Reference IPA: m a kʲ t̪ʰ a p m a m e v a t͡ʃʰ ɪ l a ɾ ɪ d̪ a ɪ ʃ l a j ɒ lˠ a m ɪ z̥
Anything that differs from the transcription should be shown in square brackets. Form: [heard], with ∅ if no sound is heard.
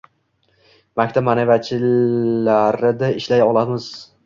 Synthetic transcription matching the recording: m a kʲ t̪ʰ a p m a [n] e v a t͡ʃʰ ɪ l a ɾ ɪ d̪ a ɪ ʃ l a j ɒ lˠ a m ɪ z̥